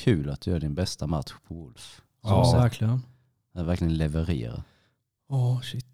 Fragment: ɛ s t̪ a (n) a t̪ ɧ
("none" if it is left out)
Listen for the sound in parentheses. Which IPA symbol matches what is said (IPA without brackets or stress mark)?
m